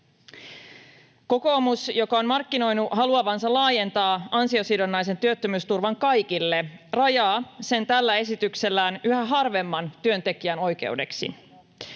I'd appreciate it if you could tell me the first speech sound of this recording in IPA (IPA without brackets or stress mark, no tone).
k